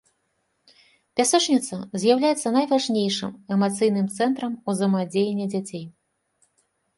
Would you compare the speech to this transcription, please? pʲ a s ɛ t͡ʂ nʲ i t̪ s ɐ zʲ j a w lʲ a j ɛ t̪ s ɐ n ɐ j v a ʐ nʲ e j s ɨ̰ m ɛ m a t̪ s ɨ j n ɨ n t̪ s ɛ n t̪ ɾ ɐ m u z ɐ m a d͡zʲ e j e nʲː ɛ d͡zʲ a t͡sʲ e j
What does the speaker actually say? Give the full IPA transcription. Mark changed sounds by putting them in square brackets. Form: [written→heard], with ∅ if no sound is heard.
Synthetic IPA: pʲ a s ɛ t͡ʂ nʲ i t̪ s ɐ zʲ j a w lʲ a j ɛ t̪ [s→sː] ɐ n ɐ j v a ʐ nʲ e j [s→ʂ] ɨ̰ m ɛ m a t̪ s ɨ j n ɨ [n→m] t̪ s ɛ n t̪ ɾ ɐ m u z ɐ m a d͡zʲ e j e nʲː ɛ d͡zʲ a t͡sʲ e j